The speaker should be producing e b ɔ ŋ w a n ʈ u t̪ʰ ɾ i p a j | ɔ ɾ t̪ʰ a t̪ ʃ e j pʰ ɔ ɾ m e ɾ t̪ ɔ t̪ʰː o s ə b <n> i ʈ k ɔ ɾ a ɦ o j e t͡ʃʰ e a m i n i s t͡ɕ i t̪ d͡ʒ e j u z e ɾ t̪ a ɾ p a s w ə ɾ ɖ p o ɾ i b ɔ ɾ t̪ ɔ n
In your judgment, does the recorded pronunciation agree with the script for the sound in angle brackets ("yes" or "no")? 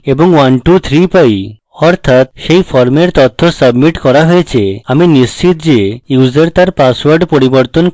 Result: no